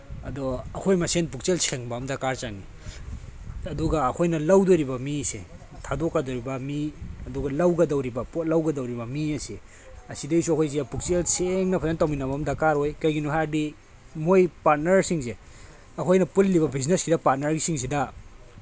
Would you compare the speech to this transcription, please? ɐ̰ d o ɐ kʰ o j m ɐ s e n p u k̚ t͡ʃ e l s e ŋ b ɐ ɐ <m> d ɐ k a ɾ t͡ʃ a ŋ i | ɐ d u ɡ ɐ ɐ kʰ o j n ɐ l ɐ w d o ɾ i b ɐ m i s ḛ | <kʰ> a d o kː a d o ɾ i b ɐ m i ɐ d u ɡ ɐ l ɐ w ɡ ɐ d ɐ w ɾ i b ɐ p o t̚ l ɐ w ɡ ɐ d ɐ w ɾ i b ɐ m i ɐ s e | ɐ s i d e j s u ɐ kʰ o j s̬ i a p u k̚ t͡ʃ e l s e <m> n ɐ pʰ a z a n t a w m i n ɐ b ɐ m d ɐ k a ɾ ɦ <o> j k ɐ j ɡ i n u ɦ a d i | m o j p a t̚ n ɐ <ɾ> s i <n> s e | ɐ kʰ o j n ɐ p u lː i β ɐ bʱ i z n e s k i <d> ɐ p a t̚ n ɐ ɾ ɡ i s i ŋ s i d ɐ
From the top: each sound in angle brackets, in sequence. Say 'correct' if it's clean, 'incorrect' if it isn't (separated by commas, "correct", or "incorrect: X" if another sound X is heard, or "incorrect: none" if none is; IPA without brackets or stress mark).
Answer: correct, incorrect: tʰ, incorrect: ŋ, correct, correct, incorrect: ŋ, correct